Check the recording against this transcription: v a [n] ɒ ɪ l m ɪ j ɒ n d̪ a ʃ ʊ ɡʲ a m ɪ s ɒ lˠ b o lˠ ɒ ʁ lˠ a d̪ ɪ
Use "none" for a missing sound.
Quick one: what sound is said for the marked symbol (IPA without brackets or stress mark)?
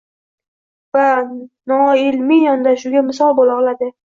n